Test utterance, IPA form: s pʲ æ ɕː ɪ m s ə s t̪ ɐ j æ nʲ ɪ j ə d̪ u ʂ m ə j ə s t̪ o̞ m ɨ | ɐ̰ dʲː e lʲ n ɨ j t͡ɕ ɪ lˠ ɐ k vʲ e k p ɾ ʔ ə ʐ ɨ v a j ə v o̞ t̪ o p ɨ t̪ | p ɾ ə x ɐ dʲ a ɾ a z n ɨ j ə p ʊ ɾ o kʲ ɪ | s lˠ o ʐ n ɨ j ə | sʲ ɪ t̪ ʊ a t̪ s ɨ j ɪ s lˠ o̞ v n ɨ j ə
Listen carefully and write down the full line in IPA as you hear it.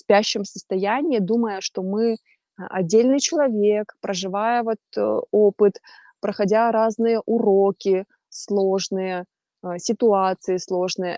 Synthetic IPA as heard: s pʲ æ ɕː ɪ m s ə s t̪ ɐ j æ nʲ ɪ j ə d̪ u m ə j ə ʂ t̪ o̞ m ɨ | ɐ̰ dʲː e lʲ n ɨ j t͡ɕ ɪ lˠ ɐ vʲ e k p ɾ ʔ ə ʐ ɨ v a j ə v o̞ t̪ o p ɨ t̪ | p ɾ ə x ɐ dʲ a ɾ a z n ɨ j ə ʔ ʊ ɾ o kʲ ɪ | s lˠ o ʐ n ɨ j ə | sʲ ɪ t̪ ʊ a t̪ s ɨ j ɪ s lˠ o̞ ʐ n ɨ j ə